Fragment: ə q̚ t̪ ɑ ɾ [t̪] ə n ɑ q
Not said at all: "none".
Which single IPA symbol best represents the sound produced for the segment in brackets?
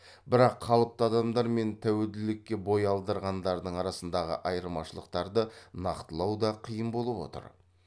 d̪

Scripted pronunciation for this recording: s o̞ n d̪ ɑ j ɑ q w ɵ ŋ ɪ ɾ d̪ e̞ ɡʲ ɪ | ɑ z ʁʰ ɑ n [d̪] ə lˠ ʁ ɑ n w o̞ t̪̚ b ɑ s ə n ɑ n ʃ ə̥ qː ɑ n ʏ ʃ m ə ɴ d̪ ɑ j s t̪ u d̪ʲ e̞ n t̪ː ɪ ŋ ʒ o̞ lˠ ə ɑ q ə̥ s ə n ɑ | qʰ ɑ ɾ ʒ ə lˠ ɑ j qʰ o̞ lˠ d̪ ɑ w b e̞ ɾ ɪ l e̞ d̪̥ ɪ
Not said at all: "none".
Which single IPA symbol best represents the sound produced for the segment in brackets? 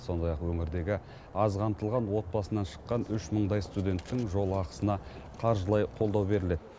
t̪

